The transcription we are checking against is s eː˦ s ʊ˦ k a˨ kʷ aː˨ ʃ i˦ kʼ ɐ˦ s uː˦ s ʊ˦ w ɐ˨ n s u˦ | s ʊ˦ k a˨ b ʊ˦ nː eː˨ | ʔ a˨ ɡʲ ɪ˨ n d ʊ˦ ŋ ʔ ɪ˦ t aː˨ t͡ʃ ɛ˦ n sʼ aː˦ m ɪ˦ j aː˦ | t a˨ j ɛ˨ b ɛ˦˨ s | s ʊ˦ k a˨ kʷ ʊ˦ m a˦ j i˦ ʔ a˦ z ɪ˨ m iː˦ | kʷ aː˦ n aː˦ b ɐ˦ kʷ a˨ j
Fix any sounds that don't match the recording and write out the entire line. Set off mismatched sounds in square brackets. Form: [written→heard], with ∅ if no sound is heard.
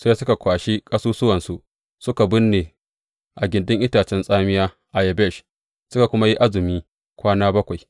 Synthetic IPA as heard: s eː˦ s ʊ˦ k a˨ kʷ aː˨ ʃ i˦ kʼ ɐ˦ s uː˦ s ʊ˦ w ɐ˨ n s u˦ | s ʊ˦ k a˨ b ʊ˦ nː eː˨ | ʔ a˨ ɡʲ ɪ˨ n d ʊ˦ ŋ ʔ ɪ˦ t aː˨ t͡ʃ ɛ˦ n sʼ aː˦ m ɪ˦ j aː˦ | [t→ʔ] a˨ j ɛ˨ b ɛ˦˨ [s→ʃ] | s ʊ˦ k a˨ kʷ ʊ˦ m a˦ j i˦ ʔ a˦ z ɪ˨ m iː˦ | kʷ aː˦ n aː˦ b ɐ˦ kʷ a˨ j